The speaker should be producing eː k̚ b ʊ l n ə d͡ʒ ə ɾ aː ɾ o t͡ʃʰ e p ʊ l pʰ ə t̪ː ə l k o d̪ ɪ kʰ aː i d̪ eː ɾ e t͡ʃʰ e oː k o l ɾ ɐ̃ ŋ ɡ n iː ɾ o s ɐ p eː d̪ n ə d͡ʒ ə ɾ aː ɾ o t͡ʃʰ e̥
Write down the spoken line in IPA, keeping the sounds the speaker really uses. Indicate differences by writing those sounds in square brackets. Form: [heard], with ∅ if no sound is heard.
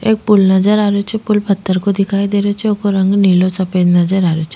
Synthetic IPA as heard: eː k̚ [p] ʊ l n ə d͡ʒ ə ɾ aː ɾ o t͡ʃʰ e p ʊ l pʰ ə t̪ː ə [ɾ] k o d̪ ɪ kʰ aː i d̪ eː ɾ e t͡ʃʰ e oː k o [∅] ɾ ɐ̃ ŋ ɡ n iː [l] o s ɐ p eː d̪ n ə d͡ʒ ə ɾ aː ɾ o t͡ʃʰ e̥

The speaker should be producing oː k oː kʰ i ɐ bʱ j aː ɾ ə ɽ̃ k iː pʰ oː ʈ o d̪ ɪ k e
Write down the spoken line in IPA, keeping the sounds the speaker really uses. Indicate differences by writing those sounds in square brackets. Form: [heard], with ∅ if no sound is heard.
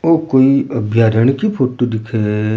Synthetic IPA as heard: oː k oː [∅] i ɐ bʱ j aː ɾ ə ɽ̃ k [i] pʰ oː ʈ o d̪ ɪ [kʰ] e

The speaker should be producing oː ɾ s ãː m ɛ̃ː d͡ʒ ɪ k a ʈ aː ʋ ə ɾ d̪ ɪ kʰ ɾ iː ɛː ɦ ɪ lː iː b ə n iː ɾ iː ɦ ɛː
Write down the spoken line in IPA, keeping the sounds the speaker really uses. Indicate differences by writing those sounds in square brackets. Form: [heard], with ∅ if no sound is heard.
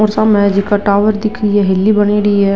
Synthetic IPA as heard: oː ɾ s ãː m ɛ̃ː d͡ʒ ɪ k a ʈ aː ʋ ə ɾ d̪ ɪ kʰ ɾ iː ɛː ɦ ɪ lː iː b ə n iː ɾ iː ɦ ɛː

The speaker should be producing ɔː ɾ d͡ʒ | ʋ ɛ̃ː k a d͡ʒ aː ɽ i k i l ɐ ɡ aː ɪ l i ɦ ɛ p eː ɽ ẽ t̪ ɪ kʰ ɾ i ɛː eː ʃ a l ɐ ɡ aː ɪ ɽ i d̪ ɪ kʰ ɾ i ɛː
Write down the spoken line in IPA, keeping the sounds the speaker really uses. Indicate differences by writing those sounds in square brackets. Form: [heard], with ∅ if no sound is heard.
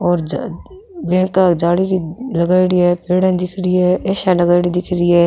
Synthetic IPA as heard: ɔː ɾ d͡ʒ | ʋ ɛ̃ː k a d͡ʒ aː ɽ i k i l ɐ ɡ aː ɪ [ɽ] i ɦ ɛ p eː ɽ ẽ [d̪] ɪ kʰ ɾ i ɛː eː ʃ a l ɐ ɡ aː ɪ ɽ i d̪ ɪ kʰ ɾ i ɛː

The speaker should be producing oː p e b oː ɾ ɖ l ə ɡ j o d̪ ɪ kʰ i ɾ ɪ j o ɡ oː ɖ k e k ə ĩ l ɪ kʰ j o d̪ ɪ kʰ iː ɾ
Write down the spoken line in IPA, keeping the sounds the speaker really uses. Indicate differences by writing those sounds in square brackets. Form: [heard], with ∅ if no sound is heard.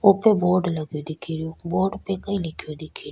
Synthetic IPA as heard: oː p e b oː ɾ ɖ l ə ɡ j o d̪ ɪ kʰ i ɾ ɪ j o [b] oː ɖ [p] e k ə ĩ l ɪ kʰ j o d̪ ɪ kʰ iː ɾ

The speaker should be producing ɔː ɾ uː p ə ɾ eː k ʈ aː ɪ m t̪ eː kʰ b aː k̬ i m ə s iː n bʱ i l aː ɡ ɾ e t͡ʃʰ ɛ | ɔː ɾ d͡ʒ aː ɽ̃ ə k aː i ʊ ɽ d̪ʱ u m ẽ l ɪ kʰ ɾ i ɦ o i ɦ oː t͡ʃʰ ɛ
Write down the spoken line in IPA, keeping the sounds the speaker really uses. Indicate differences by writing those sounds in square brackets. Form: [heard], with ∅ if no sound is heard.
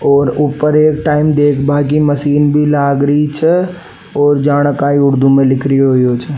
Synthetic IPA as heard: ɔː ɾ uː p ə ɾ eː k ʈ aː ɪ m [d̪] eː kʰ b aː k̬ i m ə s iː n bʱ i l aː ɡ ɾ [i] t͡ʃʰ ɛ | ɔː ɾ d͡ʒ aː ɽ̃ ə k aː i ʊ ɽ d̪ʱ u m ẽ l ɪ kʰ ɾ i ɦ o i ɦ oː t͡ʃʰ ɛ

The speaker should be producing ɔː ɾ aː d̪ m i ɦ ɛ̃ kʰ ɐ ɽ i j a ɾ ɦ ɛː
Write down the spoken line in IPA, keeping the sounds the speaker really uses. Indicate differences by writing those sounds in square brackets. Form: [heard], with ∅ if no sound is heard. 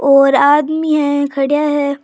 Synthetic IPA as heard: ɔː ɾ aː d̪ m i ɦ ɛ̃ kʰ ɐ ɽ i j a [∅] ɦ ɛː

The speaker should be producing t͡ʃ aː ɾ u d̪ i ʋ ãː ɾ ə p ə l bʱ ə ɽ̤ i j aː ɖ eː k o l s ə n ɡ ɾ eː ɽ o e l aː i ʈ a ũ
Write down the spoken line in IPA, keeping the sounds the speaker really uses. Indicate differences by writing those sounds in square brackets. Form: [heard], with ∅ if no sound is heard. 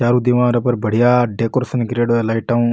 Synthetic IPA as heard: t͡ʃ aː ɾ u d̪ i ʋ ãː ɾ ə p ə [ɾ] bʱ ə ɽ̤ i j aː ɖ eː k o [ɾ] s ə n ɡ ɾ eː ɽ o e l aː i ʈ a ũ

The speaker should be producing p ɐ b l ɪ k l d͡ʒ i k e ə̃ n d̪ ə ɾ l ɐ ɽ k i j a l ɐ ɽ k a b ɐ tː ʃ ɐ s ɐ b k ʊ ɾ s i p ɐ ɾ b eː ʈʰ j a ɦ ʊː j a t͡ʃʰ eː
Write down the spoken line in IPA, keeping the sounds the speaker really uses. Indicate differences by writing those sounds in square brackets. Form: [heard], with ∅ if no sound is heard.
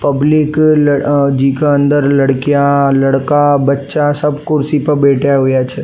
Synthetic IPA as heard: p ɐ b l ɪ k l d͡ʒ i k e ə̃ n d̪ ə ɾ l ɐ ɽ k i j a l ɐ ɽ k a b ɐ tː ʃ [a] s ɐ b k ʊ ɾ s i p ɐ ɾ b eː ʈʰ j a ɦ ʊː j a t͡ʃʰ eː

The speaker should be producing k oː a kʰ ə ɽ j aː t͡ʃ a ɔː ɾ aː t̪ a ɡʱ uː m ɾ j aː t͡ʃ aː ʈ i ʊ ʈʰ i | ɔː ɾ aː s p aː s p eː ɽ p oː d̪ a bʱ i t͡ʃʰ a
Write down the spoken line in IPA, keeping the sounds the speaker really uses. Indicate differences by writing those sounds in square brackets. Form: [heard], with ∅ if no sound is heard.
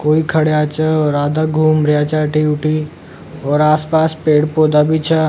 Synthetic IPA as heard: k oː [i] kʰ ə ɽ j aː t͡ʃ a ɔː ɾ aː [d̪] a ɡʱ uː m ɾ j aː t͡ʃ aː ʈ i ʊ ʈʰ i | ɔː ɾ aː s p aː s p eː ɽ p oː d̪ a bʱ i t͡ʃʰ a

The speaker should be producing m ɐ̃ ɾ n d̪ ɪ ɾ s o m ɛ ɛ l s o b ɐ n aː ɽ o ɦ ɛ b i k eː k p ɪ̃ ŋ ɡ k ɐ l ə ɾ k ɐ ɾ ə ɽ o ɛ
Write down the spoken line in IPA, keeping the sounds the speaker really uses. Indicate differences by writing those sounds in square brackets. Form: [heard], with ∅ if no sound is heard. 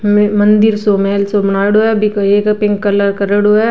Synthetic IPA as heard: m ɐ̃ [∅] n d̪ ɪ ɾ s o m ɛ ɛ l s o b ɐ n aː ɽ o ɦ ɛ b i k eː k p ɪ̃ ŋ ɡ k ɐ l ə ɾ k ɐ ɾ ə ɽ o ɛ

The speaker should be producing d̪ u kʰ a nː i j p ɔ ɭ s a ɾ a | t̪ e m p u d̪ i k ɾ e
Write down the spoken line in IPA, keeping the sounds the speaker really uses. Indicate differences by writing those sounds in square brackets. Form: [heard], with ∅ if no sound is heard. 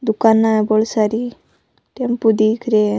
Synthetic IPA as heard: d̪ u [k] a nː [a] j [b] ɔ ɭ s a ɾ [i] | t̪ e m p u d̪ i k ɾ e

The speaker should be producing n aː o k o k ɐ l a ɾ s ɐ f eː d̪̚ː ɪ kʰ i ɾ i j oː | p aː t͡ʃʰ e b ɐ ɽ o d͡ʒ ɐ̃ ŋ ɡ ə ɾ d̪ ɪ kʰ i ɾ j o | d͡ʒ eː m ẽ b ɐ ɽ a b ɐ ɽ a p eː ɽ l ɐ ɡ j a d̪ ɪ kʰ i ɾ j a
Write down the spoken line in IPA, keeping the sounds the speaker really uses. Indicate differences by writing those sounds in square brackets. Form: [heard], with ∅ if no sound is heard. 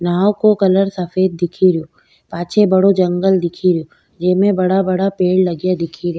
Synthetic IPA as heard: n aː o k o k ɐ l [ə] ɾ s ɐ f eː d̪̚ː ɪ kʰ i ɾ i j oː | p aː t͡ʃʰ e b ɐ ɽ o d͡ʒ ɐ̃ ŋ ɡ ə [l] d̪ ɪ kʰ i ɾ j o | d͡ʒ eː m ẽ b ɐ ɽ a b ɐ ɽ a p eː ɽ l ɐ ɡ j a d̪ ɪ kʰ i ɾ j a

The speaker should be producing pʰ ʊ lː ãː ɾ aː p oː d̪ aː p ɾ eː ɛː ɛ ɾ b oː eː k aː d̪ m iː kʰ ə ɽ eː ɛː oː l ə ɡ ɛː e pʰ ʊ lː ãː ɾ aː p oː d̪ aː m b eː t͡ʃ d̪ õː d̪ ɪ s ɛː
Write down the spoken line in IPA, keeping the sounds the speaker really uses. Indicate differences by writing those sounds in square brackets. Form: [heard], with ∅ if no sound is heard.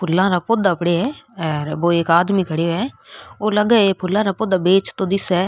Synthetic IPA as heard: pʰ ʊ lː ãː ɾ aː p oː d̪ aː p [ɽ] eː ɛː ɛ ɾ b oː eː k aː d̪ m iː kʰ ə ɽ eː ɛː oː l ə ɡ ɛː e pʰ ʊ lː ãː ɾ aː p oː d̪ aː [∅] b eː t͡ʃ [t̪] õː d̪ ɪ s ɛː

